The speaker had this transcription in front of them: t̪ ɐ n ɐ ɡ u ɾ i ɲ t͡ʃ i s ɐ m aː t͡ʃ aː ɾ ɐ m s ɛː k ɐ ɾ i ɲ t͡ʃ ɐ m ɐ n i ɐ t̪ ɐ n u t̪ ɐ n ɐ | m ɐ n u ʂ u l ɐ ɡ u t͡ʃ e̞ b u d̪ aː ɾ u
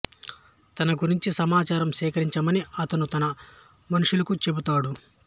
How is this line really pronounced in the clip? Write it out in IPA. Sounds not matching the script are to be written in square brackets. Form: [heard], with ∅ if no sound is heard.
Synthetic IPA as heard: t̪ ɐ n ɐ ɡ u ɾ i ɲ t͡ʃ i s ɐ m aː t͡ʃ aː ɾ ɐ m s ɛː k ɐ ɾ i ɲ t͡ʃ ɐ m ɐ n i ɐ t̪ ɐ n u t̪ ɐ n ɐ | m ɐ n u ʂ u l ɐ [k] u t͡ʃ e̞ b u [t̪] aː [ɽ] u

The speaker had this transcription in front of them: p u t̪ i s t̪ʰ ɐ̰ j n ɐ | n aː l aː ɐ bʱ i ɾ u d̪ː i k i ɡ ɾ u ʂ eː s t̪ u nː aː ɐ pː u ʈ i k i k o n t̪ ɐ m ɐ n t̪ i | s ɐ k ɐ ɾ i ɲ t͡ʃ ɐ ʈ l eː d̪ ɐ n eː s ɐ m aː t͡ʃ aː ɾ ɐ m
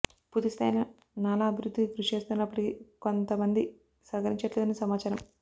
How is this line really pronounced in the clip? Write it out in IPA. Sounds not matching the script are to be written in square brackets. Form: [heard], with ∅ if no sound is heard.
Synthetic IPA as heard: p u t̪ i s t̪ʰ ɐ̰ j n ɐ | n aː l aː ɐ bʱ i ɾ u d̪ː i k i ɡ ɾ u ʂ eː s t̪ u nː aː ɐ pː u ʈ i k i k o n t̪ ɐ m ɐ n [d̪] i | s ɐ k ɐ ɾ i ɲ t͡ʃ ɐ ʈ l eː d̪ ɐ n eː s ɐ m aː t͡ʃ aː ɾ ɐ m

